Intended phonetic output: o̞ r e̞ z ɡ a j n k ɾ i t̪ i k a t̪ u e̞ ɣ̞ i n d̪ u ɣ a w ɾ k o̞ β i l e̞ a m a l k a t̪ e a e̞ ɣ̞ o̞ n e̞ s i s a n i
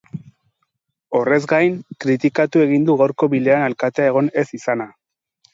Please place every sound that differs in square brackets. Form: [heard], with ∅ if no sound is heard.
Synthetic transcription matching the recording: o̞ r e̞ z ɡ a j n k ɾ i t̪ i k a t̪ u e̞ ɣ̞ i n d̪ u ɣ a w ɾ k o̞ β i l e̞ a [n] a l k a t̪ e a e̞ ɣ̞ o̞ n e̞ s i s a n [a]